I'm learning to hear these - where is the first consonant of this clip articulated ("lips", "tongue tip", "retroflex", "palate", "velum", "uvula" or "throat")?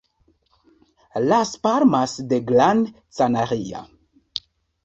tongue tip